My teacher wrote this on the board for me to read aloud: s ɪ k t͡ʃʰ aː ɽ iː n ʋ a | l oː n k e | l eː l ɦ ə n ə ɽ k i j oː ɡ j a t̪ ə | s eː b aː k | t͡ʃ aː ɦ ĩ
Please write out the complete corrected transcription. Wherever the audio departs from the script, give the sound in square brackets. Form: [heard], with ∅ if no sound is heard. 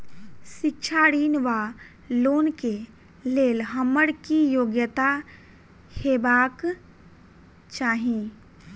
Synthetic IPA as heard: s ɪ k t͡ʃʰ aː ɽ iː n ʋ a | l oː n k e | l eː l ɦ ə [m] ə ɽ k i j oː ɡ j [ə] t̪ [a] | [h] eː b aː k | t͡ʃ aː ɦ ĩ